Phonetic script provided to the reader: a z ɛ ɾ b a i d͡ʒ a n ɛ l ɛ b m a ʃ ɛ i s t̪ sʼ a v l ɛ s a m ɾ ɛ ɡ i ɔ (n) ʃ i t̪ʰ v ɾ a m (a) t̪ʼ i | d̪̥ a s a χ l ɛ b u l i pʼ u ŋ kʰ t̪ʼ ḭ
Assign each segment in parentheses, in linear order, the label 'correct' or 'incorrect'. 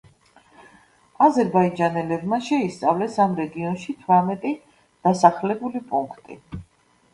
correct, incorrect: ɛ

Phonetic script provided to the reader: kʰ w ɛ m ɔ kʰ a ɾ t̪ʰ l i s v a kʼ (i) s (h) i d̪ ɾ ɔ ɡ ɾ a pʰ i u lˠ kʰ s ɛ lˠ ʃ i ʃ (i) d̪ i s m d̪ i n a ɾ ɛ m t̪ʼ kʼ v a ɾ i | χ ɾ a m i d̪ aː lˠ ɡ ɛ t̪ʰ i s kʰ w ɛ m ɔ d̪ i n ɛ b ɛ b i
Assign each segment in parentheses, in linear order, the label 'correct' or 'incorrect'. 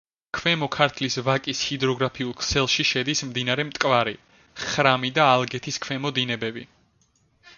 correct, correct, incorrect: ɛ

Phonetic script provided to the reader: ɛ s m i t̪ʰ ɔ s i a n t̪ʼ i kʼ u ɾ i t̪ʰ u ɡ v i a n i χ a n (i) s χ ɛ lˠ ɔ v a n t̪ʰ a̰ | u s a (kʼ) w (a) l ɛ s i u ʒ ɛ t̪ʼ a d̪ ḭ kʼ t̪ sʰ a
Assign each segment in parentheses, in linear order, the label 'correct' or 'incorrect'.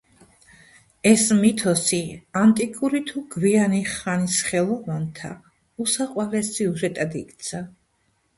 correct, incorrect: qʼ, correct

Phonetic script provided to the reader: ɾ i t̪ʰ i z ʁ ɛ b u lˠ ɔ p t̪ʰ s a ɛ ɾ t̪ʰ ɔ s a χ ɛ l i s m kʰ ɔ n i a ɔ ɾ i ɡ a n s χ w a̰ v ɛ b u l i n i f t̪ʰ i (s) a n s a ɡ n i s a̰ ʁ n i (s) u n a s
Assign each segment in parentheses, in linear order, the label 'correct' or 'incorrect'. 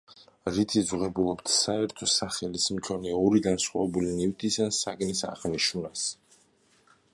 correct, incorrect: ʃ

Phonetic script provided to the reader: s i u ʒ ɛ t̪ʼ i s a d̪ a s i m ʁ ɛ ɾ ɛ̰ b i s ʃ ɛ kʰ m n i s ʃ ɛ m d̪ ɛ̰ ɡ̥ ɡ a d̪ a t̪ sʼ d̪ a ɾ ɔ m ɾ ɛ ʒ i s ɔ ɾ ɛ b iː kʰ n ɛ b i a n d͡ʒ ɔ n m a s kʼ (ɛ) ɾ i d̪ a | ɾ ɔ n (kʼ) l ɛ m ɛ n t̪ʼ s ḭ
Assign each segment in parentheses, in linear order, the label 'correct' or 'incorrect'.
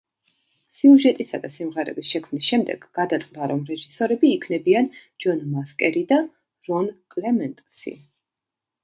correct, correct

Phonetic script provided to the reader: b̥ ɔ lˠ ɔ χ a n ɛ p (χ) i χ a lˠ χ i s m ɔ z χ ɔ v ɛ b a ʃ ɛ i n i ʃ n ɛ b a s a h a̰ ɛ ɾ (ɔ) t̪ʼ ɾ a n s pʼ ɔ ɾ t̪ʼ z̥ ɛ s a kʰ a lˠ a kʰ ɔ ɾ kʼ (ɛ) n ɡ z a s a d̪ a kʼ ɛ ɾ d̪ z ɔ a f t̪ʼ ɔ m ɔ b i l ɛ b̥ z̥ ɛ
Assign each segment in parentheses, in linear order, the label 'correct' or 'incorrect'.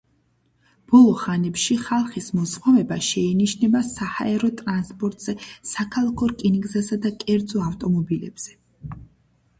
incorrect: ʃ, correct, incorrect: i

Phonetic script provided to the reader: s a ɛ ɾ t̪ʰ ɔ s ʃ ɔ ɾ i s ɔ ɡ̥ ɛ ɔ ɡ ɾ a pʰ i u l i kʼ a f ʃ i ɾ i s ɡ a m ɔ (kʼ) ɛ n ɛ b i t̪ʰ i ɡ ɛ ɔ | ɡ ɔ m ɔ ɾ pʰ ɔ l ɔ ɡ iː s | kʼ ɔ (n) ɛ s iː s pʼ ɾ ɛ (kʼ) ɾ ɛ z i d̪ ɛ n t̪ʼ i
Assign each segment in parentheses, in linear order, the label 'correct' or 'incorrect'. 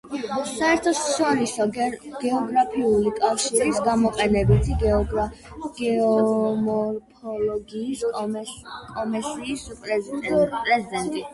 incorrect: qʼ, incorrect: m, incorrect: pʼ

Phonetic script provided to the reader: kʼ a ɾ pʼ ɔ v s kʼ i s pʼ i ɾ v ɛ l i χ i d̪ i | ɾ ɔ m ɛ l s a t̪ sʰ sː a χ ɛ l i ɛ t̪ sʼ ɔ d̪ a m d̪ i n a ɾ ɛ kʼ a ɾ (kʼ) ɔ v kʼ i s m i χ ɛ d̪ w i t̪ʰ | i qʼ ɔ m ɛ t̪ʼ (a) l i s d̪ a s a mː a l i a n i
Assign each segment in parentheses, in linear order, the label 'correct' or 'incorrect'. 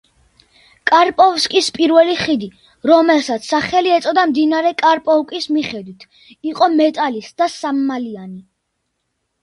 incorrect: pʼ, correct

